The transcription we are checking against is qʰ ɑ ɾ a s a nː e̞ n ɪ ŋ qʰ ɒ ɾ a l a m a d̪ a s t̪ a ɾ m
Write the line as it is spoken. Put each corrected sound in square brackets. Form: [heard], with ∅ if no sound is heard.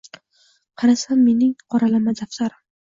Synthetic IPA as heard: qʰ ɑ ɾ a s a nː e̞ n ɪ ŋ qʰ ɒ ɾ a l a m a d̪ a [f] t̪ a ɾ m